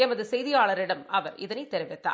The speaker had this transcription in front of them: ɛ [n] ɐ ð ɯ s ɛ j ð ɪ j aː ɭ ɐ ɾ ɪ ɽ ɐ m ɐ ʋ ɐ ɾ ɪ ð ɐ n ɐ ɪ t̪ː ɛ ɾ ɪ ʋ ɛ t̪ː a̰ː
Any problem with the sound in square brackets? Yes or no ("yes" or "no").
yes